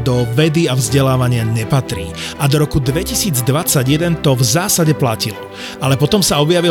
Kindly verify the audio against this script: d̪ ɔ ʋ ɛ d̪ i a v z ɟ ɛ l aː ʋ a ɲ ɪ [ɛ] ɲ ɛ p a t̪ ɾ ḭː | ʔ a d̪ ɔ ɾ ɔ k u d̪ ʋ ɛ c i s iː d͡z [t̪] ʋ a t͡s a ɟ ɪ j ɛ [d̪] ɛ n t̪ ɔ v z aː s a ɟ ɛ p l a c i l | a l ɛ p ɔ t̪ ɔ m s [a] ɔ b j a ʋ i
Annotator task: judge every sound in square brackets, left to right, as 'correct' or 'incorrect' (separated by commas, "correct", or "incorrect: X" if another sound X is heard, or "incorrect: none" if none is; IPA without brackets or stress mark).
incorrect: a, incorrect: d̪, correct, correct